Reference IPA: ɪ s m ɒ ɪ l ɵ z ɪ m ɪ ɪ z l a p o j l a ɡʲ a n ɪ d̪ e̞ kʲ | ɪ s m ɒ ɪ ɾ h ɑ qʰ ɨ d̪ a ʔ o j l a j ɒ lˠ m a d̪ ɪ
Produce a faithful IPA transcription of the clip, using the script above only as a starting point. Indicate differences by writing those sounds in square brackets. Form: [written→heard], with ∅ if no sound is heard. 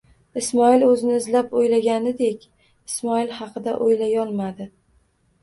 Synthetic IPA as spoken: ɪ s m ɒ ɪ l ɵ z ɪ [m→n] ɪ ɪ z l a p o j l a ɡʲ a n ɪ d̪ e̞ kʲ | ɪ s m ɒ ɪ [ɾ→l] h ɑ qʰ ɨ d̪ a ʔ o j l a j ɒ lˠ m a d̪ ɪ